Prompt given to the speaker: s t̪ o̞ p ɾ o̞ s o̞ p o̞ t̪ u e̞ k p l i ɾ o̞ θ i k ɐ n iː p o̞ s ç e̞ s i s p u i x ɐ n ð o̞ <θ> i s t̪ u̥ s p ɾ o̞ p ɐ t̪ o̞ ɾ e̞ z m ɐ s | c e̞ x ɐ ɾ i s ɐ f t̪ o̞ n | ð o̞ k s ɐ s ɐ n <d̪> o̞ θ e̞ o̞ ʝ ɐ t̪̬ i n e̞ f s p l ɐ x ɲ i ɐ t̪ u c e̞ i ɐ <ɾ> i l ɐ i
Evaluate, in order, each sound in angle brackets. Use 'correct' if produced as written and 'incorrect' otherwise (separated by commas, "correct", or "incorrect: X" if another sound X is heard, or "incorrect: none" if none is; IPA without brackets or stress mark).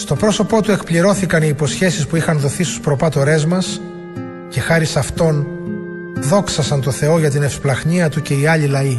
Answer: correct, incorrect: t̪, incorrect: ʎ